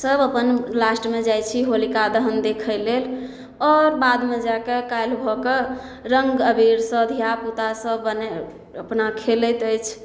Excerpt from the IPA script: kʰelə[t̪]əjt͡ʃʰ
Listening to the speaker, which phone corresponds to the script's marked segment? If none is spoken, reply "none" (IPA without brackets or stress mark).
t̪